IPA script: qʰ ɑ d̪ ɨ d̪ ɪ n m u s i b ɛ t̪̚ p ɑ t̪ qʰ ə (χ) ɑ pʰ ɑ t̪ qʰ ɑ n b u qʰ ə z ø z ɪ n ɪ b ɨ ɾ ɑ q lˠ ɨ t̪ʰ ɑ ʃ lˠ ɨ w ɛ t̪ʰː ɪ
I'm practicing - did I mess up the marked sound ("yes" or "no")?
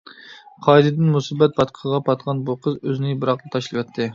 yes